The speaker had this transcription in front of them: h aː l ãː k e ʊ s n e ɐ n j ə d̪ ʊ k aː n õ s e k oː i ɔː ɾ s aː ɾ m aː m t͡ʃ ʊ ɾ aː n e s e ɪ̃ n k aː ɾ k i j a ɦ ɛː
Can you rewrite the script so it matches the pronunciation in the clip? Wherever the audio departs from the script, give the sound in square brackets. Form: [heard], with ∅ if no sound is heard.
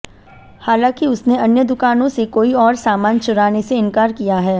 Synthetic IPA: h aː l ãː k [i] ʊ s n e ɐ n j ə d̪ ʊ k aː n õ s e k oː i ɔː ɾ s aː [∅] m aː [n] t͡ʃ ʊ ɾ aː n e s e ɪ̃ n k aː ɾ k i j a ɦ ɛː